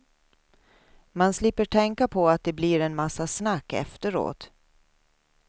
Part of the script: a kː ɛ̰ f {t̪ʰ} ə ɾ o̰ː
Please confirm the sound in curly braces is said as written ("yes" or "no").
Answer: no